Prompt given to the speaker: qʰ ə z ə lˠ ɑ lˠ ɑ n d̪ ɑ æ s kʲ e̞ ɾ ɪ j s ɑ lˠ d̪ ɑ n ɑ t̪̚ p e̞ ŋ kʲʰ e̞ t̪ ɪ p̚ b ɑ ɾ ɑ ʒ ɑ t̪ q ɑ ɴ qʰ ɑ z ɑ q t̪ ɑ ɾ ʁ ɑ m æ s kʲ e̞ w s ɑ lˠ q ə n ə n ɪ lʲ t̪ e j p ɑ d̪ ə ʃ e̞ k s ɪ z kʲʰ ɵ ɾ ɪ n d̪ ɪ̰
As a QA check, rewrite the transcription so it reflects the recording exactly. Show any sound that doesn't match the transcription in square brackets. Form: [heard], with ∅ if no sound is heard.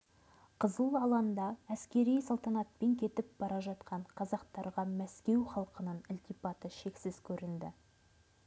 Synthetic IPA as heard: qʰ ə z ə lˠ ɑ lˠ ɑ n d̪ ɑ æ s kʲ e̞ ɾ [i] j s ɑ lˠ [t̪] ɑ n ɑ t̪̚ p e̞ ŋ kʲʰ e̞ t̪ ɪ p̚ b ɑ ɾ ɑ ʒ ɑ t̪ q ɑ ɴ qʰ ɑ z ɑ q t̪ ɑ ɾ ʁ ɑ m æ s kʲ e̞ w [χ] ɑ lˠ q ə n ə n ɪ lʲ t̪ [i] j p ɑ [t̪] ə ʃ e̞ k s ɪ z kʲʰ ɵ ɾ ɪ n d̪ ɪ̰